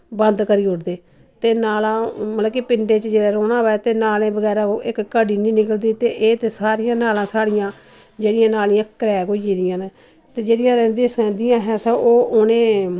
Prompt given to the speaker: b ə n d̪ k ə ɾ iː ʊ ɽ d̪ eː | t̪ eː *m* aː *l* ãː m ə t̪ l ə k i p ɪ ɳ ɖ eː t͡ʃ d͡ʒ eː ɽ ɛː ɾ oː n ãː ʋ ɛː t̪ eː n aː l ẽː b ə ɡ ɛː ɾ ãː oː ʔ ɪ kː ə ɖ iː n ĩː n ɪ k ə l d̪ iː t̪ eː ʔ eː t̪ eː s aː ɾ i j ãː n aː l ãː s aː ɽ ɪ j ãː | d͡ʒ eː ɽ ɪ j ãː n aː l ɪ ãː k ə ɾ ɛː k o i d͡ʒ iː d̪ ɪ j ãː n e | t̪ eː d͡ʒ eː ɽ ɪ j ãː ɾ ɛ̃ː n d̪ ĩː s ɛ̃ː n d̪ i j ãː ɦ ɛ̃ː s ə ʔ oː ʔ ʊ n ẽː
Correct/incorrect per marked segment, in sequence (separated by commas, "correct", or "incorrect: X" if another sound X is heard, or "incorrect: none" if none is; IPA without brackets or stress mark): incorrect: n, correct